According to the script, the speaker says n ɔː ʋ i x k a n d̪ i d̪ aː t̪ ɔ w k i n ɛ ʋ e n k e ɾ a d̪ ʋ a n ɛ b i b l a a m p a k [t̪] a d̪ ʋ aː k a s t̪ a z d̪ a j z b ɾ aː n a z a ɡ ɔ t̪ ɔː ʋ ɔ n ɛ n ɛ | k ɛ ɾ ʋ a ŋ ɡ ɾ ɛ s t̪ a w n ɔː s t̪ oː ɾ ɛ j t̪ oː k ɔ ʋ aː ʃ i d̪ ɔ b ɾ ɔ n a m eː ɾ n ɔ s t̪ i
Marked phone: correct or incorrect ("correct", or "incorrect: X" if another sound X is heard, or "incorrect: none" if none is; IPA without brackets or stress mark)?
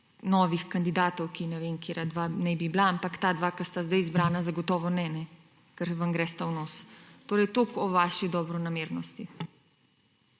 correct